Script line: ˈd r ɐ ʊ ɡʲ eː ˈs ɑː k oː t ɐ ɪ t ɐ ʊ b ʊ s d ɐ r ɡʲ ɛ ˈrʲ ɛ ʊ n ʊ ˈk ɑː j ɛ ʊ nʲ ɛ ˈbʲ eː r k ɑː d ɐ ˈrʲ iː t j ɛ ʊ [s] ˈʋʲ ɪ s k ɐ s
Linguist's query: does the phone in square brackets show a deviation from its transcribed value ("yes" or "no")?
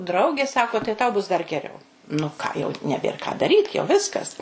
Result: yes